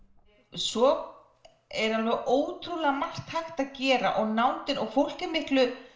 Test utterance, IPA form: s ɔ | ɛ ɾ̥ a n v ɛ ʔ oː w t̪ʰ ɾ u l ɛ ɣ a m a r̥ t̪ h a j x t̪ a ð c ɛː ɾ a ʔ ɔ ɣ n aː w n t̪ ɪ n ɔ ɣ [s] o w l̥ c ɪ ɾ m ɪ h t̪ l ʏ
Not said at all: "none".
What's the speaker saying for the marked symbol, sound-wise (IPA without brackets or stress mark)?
f